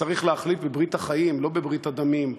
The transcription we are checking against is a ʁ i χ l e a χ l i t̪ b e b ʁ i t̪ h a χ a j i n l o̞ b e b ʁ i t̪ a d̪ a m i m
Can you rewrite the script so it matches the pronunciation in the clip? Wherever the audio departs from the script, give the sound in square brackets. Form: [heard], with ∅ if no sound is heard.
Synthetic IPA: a ʁ i χ l e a χ l i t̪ b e b ʁ i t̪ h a χ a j i [m] l o̞ b e b ʁ i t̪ a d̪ a m i m